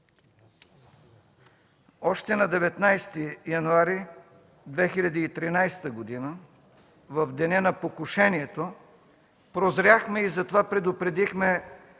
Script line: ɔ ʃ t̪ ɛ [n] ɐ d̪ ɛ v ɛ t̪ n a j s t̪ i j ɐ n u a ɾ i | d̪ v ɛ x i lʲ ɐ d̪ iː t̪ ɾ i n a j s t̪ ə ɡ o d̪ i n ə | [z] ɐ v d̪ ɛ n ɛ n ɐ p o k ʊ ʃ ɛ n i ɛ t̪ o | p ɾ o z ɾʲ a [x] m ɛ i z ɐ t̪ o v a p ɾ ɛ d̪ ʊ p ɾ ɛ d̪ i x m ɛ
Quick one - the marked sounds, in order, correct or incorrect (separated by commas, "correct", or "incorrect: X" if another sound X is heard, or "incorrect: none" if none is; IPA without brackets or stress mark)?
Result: correct, incorrect: v, correct